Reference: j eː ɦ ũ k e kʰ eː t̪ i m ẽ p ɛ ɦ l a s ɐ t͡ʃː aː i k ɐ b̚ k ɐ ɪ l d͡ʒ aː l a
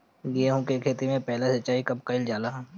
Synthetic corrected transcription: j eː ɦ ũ k e kʰ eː t̪ i m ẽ p ɛ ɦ l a s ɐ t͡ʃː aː i k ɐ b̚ k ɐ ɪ l d͡ʒ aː l a